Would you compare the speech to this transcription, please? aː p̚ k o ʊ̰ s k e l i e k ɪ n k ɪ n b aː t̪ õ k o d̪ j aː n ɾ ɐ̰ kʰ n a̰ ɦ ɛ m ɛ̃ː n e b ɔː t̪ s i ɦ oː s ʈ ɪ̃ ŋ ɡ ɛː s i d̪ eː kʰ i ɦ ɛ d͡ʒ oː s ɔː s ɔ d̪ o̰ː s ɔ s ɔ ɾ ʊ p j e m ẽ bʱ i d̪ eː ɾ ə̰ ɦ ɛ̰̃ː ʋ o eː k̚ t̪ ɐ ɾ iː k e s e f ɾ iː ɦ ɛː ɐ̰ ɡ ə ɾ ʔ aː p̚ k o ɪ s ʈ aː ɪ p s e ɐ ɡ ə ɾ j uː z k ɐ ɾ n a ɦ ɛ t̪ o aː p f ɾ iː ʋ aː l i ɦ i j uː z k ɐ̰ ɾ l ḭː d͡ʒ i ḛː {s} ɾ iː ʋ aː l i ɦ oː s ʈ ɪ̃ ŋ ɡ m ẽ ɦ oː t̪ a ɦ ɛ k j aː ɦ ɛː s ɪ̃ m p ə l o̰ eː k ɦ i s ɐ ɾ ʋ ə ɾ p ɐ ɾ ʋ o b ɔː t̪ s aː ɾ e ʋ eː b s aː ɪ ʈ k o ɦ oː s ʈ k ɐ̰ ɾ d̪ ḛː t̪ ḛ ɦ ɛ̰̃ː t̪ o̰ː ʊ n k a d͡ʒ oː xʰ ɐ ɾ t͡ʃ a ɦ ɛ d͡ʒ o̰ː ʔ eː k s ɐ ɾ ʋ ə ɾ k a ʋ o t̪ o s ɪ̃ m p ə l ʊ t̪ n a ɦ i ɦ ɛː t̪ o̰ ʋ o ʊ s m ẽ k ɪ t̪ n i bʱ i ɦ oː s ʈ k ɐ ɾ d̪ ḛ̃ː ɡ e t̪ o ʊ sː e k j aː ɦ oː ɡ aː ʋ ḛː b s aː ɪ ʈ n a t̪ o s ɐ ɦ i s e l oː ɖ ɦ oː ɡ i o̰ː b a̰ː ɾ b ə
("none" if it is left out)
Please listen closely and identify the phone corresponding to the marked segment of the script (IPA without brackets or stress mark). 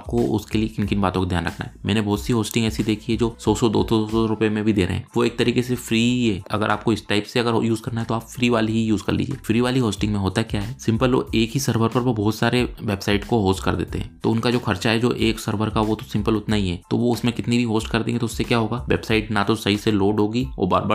f